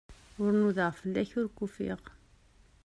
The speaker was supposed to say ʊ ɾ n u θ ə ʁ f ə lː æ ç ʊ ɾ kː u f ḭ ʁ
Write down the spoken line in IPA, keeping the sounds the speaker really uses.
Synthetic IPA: ʊ ɾ n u ð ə ʁ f ə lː æ ç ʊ ɾ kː u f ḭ ʁ